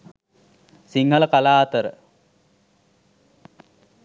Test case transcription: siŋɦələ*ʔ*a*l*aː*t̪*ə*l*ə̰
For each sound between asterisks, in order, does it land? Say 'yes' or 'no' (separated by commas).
no, yes, yes, no